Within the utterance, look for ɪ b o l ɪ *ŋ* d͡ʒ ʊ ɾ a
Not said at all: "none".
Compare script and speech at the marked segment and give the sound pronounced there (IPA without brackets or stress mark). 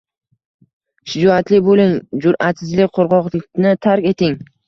ŋ